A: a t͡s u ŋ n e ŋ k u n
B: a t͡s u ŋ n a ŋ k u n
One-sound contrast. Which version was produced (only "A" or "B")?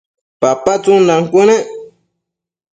B